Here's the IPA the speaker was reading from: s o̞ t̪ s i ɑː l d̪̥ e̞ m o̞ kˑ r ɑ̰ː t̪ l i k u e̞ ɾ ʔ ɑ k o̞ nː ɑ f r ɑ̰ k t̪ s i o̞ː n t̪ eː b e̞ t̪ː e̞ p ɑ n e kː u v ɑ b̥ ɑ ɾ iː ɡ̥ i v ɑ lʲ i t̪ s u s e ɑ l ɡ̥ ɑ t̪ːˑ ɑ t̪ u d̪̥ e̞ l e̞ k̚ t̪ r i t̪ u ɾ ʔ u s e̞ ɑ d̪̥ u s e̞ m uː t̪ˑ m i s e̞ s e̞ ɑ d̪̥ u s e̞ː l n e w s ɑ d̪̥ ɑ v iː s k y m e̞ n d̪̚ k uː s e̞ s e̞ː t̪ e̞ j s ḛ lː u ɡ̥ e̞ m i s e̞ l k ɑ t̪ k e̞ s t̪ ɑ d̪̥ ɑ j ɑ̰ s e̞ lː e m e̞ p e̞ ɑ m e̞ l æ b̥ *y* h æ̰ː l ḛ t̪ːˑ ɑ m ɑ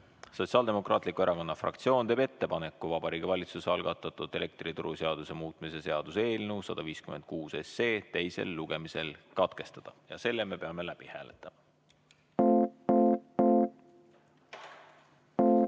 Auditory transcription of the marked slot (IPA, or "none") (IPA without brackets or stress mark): i